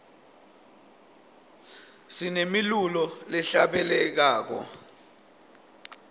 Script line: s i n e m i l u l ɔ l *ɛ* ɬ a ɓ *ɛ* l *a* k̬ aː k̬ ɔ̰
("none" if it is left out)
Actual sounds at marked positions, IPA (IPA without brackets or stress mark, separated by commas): ɛ, ɛ, ɛ